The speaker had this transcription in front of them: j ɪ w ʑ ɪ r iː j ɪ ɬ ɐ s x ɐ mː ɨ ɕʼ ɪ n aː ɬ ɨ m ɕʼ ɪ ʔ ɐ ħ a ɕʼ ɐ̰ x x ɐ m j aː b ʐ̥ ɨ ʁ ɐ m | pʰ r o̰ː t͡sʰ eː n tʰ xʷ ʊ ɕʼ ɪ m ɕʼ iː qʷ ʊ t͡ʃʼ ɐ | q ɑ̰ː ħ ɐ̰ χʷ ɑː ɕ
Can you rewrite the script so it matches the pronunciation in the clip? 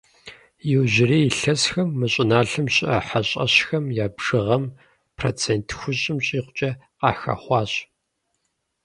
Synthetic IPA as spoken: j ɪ w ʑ ɪ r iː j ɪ ɬ ɐ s x ɐ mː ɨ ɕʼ ɪ n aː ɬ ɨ m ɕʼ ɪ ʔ ɐ ħ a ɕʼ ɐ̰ ɕ x ɐ m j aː b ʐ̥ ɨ ʁ ɐ m | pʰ r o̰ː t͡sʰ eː n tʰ xʷ ʊ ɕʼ ɪ m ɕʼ iː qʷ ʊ t͡ʃʼ ɐ | q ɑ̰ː x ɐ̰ χʷ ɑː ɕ

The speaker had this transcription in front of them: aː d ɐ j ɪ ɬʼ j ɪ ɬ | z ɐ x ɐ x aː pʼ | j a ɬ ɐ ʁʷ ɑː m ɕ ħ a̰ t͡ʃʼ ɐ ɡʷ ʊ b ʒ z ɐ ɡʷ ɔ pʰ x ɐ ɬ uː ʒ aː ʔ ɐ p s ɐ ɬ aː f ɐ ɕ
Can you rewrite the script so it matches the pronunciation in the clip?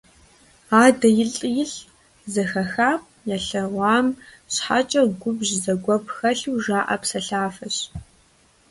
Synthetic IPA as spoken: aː d ɐ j ɪ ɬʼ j ɪ ɬ | z ɐ x ɐ x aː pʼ | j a ɬ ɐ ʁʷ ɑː m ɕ ħ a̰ t͡ʃʼ ɐ ɡʷ ʊ b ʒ z ɐ ɡʷ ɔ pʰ x ɐ ɬ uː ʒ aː ʔ ɐ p s ɐ ɬ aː f ɐ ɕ

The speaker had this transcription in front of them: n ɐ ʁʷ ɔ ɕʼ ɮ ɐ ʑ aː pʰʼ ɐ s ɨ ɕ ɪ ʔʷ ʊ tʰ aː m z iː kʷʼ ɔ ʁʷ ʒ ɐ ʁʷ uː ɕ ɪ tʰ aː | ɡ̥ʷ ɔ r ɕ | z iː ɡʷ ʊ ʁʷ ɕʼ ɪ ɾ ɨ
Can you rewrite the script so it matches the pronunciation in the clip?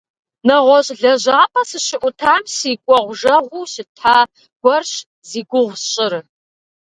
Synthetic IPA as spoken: n ɐ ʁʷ ɔ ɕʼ ɮ ɐ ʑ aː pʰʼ ɐ s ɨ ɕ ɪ ʔʷ ʊ tʰ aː m s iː kʷʼ ɔ ʁʷ ʒ ɐ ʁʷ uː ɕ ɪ tʰ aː | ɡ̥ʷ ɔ r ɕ | z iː ɡʷ ʊ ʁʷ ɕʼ ɪ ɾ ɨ

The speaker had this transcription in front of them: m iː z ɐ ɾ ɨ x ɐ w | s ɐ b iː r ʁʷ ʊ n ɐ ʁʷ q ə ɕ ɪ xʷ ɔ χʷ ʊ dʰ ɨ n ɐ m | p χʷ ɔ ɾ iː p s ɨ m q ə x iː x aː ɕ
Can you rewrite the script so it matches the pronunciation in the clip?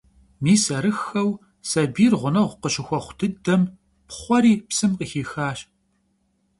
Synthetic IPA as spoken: m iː s ɐ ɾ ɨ x ɐ w | s ɐ b iː r ʁʷ ʊ n ɐ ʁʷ q ə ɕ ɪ xʷ ɔ χʷ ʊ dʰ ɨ d ɐ m | p χʷ ɔ ɾ iː p s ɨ m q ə x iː x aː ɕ

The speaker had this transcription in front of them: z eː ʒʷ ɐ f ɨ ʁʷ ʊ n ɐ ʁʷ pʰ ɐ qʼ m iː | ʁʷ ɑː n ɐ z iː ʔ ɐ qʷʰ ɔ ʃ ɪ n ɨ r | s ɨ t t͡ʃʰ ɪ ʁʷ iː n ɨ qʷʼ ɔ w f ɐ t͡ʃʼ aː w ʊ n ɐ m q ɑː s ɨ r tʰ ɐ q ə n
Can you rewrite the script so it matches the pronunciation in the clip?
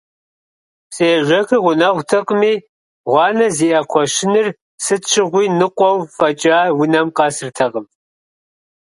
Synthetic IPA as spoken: s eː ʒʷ ɐ x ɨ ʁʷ ʊ n ɐ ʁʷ tʰ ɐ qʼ m iː | ʁʷ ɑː n ɐ z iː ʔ ɐ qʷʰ ɔ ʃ ɪ n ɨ r | s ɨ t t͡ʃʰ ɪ ʁʷ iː n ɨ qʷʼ ɔ w f ɐ t͡ʃʼ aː w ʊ n ɐ m q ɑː s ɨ r tʰ ɐ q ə m

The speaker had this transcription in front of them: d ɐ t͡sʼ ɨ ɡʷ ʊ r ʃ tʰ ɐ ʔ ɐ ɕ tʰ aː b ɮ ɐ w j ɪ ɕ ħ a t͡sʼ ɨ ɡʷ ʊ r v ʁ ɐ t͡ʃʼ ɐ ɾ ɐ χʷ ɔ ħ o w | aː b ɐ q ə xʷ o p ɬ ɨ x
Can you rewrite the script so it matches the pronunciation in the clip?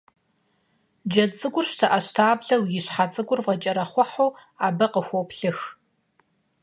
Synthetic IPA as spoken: d͡ʒ ɐ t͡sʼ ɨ ɡʷ ʊ r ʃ tʰ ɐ ʔ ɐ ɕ tʰ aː b ɮ ɐ w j ɪ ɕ ħ a t͡sʼ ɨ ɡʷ ʊ r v ʁ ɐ t͡ʃʼ ɐ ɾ ɐ χʷ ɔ ħ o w | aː b ɐ q ə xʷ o p ɬ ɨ x

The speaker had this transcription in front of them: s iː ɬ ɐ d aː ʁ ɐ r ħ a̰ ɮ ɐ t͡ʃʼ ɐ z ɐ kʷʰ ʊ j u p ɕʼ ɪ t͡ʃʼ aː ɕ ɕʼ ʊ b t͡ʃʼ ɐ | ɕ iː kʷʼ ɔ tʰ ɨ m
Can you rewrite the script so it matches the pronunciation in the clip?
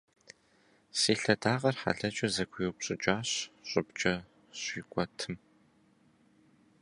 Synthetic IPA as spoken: s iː ɬ ɐ d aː ʁ ɐ r ħ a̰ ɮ ɐ t͡ʃʼ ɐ z ɐ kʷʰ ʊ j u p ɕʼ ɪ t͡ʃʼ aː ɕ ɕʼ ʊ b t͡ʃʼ ɐ | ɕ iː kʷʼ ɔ tʰ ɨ m

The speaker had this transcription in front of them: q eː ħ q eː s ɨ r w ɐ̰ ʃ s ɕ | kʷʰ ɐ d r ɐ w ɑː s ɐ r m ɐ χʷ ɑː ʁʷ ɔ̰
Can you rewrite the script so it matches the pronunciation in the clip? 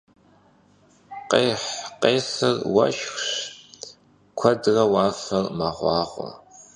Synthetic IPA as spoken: q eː ħ q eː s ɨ r w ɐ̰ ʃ x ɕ | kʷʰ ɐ d r ɐ w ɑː f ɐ r m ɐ ʁʷ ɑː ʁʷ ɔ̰

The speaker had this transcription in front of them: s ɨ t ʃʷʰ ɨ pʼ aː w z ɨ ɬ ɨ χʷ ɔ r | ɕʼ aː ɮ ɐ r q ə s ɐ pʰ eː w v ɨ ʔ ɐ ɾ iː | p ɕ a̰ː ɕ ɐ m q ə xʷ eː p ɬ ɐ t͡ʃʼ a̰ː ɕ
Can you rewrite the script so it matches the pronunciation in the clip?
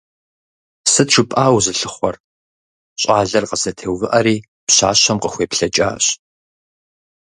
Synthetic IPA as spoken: s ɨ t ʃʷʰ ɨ pʼ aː w z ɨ ɬ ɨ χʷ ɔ r | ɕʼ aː ɮ ɐ r q ə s ɐ tʰ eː w v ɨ ʔ ɐ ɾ iː | p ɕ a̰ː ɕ ɐ m q ə xʷ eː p ɬ ɐ t͡ʃʼ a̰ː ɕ

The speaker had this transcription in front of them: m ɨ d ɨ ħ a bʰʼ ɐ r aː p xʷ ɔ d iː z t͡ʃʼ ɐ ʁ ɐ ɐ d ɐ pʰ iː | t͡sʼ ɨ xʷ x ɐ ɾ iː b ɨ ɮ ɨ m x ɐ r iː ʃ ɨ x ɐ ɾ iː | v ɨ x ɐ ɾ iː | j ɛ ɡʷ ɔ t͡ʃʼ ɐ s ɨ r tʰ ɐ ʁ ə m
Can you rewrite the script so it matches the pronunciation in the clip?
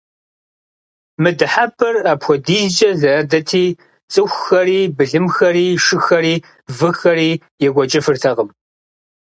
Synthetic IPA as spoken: m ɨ d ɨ ħ a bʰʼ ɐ r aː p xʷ ɔ d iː z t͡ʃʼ ɐ z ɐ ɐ d ɐ tʰ iː | t͡sʼ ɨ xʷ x ɐ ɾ iː b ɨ ɮ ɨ m x ɐ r iː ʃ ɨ x ɐ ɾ iː | v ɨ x ɐ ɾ iː | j ɛ ɡʷ ɔ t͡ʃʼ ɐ f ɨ r tʰ ɐ ʁ ə m

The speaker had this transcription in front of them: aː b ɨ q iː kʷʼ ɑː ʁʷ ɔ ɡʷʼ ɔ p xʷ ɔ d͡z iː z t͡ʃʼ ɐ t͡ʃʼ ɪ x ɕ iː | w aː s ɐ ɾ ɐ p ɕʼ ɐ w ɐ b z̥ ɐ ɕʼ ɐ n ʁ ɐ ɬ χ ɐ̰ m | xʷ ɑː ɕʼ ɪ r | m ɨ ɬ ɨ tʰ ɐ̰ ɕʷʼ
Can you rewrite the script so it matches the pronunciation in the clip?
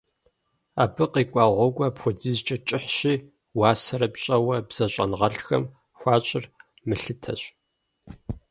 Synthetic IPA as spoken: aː b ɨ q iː kʷʼ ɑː ʁʷ ɔ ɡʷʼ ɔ p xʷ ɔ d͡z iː z t͡ʃʼ ɐ t͡ʃʼ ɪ ħ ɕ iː | w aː s ɐ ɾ ɐ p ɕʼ ɐ w ɐ b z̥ ɐ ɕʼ ɐ n ʁ ɐ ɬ x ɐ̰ m | xʷ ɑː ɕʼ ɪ r | m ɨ ɬ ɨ tʰ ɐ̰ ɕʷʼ

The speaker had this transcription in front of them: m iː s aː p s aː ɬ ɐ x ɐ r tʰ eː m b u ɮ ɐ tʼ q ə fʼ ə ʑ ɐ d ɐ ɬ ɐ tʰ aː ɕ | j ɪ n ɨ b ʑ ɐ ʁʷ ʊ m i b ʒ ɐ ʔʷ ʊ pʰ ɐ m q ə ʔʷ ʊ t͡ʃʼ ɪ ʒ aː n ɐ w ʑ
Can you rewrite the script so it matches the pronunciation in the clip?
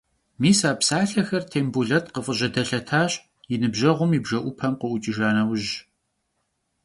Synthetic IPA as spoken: m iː s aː p s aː ɬ ɐ x ɐ r tʰ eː m b u ɮ ɐ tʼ q ə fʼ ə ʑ ɐ d ɐ ɬ ɐ tʰ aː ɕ | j ɪ n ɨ b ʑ ɐ ʁʷ ʊ m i b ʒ ɐ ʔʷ ʊ pʰ ɐ m q ə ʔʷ ʊ t͡ʃʼ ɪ ʒ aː n ɐ w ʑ

